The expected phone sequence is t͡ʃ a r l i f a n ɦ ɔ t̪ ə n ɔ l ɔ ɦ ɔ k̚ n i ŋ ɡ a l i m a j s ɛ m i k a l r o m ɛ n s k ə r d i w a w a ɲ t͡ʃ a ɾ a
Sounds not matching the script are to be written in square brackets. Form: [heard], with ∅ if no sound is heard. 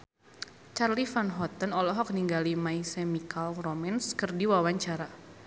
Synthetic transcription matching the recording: t͡ʃ a r l i f a n ɦ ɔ t̪ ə n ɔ l ɔ ɦ ɔ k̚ n i ŋ ɡ a l i m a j s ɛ m i k a l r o m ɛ n s k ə r d i w a w a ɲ t͡ʃ a ɾ a